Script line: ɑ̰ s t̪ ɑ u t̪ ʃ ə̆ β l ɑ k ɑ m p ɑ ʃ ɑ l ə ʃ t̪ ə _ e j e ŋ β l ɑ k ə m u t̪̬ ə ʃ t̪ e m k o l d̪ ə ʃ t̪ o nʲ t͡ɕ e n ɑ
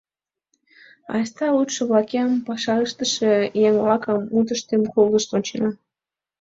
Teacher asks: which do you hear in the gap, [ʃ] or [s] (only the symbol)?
ʃ